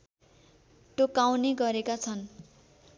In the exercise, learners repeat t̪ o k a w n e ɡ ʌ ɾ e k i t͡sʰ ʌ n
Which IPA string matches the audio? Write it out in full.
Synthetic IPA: t̪ o k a w n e ɡ ʌ ɾ e k a t͡sʰ ʌ n